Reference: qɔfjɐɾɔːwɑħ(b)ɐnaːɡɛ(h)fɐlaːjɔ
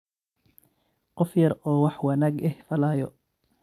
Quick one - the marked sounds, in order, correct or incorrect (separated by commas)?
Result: incorrect, correct